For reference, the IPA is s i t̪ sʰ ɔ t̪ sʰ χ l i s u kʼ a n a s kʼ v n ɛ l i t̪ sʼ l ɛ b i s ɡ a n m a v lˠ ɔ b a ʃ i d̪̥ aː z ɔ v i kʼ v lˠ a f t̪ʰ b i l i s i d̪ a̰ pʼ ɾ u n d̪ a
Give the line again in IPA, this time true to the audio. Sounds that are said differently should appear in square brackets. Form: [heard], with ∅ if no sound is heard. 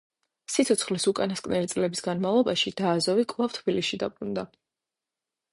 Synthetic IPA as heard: s i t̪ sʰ ɔ t̪ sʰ χ l i s u kʼ a n a s kʼ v n ɛ l i t̪ sʼ l ɛ b i s ɡ a n m a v lˠ ɔ b a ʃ i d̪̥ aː z ɔ v i kʼ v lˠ a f t̪ʰ b i l i s i d̪ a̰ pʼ ɾ u n d̪ a